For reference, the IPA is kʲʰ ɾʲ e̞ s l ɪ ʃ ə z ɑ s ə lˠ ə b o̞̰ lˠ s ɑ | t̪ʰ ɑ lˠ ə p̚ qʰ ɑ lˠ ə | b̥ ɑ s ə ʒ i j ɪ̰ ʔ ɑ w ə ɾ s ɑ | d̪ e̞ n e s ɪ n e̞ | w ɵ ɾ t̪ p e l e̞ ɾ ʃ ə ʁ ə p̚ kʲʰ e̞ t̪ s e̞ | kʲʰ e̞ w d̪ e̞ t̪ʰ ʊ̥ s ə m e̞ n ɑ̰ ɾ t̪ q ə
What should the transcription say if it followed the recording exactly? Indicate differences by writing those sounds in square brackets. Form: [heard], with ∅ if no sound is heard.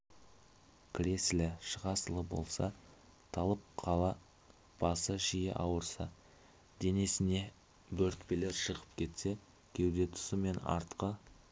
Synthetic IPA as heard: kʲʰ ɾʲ e̞ s l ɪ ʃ ə [ʁ] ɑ s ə lˠ ə b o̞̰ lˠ s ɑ | t̪ʰ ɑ lˠ ə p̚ qʰ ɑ lˠ [ɑ] | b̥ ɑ s ə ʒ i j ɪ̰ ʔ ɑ w ə ɾ s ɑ | d̪ e̞ n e s ɪ n e̞ | [b] ɵ ɾ t̪ p e l e̞ ɾ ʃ ə ʁ ə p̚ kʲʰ e̞ t̪ s e̞ | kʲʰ e̞ w d̪ e̞ t̪ʰ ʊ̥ s ə m e̞ n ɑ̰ ɾ t̪ q ə